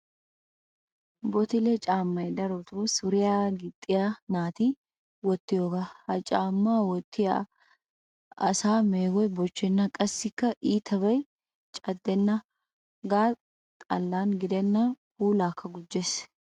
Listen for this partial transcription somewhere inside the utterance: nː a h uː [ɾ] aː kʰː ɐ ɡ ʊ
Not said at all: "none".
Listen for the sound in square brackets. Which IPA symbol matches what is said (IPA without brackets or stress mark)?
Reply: l